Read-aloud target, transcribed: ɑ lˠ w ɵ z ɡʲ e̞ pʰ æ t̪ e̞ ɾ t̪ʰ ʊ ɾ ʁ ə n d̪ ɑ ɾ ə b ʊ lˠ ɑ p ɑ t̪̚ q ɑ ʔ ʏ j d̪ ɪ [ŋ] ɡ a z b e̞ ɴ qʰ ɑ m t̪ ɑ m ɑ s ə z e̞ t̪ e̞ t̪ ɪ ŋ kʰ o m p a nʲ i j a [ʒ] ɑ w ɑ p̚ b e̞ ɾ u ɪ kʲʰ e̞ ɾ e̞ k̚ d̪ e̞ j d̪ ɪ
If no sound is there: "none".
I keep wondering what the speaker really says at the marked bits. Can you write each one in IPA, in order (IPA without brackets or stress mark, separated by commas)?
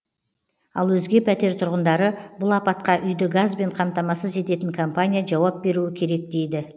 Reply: none, ʒ